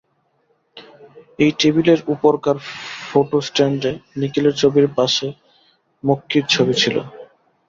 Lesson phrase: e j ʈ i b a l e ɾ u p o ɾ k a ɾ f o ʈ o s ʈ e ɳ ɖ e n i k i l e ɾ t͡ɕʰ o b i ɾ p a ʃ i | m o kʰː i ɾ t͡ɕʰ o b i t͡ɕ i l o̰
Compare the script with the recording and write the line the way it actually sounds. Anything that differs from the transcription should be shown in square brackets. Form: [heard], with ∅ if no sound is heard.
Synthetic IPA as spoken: e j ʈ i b [i] l e ɾ u p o ɾ k a ɾ f o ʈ o s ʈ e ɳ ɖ e n i k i l e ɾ t͡ɕʰ o b i ɾ p a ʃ [e] | m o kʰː i ɾ t͡ɕʰ o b i [t͡ɕʰ] i l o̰